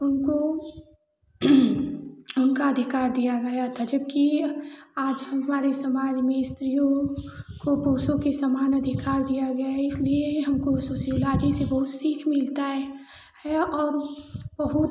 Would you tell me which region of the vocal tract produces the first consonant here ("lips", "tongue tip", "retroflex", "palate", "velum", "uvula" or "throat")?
tongue tip